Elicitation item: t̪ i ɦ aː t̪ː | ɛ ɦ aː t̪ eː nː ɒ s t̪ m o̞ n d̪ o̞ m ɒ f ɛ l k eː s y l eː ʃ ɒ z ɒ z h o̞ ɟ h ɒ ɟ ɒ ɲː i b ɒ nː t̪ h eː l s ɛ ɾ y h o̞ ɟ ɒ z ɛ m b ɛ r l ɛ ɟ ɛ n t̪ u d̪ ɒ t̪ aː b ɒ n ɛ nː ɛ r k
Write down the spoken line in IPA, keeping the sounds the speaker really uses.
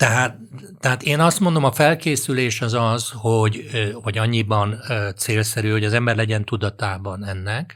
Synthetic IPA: t̪ ɛ ɦ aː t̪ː | ɛ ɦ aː t̪ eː n ɒ s t̪ m o̞ n d̪ o̞ m ɒ f ɛ l k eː s y l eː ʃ ɒ z ɒ z h o̞ ɟ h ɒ ɟ ɒ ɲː i b ɒ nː t̪ s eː l s ɛ ɾ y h o̞ ɟ ɒ z ɛ m b ɛ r l ɛ ɟ ɛ n t̪ u d̪ ɒ t̪ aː b ɒ n ɛ nː ɛ k